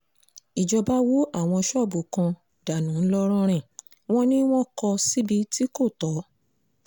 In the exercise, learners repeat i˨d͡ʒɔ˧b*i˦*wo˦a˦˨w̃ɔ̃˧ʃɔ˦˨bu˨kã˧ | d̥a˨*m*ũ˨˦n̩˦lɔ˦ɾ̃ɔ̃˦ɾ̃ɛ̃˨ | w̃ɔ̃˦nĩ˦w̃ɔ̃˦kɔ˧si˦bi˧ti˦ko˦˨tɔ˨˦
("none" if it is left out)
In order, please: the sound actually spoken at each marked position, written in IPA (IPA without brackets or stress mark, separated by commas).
a˦, n